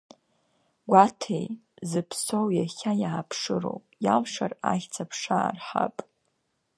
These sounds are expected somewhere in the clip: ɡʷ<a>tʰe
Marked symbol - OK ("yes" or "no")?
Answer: yes